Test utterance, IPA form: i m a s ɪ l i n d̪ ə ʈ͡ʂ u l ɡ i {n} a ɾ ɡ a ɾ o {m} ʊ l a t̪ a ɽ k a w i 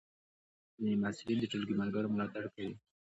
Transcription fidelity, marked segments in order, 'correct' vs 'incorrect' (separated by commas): incorrect, correct